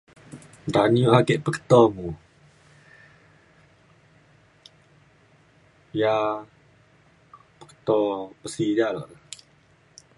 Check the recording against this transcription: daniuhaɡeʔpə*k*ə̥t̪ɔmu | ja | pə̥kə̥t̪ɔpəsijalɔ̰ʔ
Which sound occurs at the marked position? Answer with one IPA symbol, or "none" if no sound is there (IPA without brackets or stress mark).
k